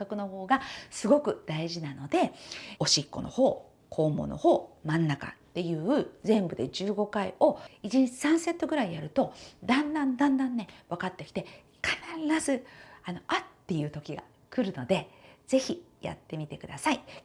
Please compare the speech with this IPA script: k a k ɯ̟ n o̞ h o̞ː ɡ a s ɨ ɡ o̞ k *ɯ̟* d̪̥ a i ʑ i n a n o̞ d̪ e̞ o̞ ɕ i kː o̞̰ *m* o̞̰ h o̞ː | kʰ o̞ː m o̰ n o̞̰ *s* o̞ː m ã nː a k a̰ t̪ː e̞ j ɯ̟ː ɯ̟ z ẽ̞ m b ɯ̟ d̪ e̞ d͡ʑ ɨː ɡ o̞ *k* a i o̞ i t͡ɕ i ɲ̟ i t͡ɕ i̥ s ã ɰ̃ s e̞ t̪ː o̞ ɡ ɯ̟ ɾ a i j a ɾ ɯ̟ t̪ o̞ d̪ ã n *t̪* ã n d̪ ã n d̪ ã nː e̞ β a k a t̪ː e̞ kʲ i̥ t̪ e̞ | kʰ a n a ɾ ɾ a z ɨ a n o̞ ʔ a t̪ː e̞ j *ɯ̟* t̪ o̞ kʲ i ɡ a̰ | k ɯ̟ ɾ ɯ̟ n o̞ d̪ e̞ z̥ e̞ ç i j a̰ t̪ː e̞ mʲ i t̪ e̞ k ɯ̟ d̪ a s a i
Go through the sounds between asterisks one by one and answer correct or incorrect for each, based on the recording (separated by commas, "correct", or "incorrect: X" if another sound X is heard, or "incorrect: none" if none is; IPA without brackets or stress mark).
correct, incorrect: n, incorrect: h, correct, incorrect: d̪, incorrect: ɯ̟ː